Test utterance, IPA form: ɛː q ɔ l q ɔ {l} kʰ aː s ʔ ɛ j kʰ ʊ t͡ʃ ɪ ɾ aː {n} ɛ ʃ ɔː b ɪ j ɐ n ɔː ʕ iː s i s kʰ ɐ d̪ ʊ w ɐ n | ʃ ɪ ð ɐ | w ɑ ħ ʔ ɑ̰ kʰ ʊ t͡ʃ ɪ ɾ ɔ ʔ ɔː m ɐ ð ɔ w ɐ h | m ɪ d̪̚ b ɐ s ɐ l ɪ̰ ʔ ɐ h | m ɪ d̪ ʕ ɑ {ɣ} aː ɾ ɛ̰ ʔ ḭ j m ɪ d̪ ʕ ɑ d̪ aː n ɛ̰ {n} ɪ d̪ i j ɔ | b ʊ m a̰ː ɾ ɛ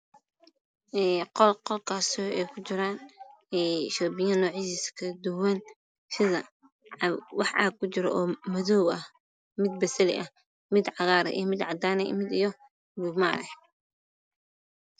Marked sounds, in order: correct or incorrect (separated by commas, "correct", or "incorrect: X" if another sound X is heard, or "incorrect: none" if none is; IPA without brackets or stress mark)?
correct, correct, correct, incorrect: m